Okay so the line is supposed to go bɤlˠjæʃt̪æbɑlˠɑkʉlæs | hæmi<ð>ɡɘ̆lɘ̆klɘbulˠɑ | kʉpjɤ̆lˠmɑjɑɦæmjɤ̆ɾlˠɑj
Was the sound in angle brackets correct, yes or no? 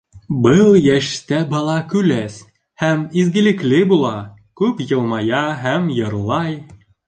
no